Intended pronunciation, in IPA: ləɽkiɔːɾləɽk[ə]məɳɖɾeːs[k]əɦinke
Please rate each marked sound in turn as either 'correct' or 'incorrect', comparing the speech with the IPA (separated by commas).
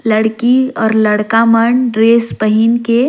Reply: incorrect, incorrect